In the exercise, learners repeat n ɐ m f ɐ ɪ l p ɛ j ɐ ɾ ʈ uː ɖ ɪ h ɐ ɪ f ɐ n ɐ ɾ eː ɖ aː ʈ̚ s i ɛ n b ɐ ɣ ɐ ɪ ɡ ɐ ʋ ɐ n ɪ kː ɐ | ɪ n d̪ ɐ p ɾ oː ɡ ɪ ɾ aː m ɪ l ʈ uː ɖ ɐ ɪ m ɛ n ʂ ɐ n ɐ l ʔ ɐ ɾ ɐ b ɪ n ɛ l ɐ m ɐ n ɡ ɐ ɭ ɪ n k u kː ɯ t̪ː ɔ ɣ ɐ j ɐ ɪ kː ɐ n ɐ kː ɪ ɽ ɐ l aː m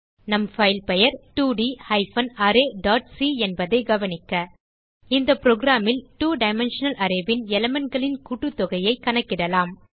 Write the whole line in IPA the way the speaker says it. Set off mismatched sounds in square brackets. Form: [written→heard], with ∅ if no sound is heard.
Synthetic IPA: n ɐ m f ɐ ɪ l p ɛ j ɐ ɾ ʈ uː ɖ [ɪ→i] h ɐ ɪ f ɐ n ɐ ɾ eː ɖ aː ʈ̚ s i ɛ n b ɐ [ɣ→ð] ɐ ɪ ɡ ɐ ʋ ɐ n ɪ kː ɐ | ɪ n d̪ ɐ p ɾ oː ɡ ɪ ɾ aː m ɪ l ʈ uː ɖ ɐ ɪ m ɛ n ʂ ɐ n ɐ l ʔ ɐ ɾ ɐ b ɪ n ɛ l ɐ m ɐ n ɡ ɐ ɭ ɪ n k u [kː→ʈː] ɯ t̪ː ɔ ɣ ɐ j ɐ ɪ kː ɐ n ɐ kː ɪ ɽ ɐ l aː m